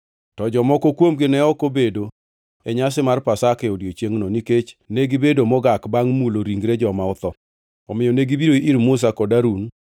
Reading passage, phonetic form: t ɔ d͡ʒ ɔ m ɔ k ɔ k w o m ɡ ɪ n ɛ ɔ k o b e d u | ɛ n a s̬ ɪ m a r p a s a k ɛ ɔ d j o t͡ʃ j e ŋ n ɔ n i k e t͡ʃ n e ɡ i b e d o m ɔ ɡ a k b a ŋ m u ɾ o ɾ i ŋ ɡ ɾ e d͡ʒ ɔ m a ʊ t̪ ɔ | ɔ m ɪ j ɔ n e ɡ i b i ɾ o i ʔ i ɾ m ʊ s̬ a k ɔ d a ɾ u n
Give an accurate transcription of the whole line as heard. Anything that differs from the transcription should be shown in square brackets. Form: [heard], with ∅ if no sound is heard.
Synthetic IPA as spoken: t ɔ d͡ʒ ɔ m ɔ k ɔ k w o m ɡ ɪ n ɛ ɔ k o b e d [o] | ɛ [ɲ] a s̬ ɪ m a r p a s a k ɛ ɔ d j o t͡ʃ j e ŋ n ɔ n i k e t͡ʃ n e ɡ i b e d o m ɔ ɡ a k b a ŋ m u [l] o ɾ i ŋ ɡ ɾ e d͡ʒ ɔ m a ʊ t̪ ɔ | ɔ m ɪ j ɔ n e ɡ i b i ɾ o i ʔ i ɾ m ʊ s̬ a k ɔ d a ɾ u n